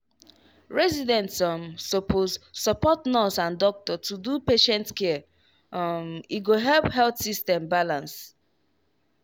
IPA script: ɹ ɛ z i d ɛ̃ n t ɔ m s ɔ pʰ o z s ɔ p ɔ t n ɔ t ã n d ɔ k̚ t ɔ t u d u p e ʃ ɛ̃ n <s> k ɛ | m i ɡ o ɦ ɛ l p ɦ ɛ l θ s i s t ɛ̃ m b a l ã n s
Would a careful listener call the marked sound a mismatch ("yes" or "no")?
yes